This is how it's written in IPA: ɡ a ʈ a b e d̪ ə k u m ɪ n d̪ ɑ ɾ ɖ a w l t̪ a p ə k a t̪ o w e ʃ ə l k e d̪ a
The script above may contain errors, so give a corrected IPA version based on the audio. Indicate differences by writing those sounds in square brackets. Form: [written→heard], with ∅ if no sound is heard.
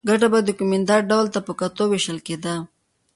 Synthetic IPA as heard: ɡ a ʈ a b [e→a] d̪ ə k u m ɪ n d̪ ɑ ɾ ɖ a w l t̪ a p ə k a t̪ o w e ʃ ə l k e d̪ a